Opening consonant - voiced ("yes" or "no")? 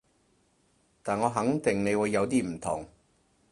no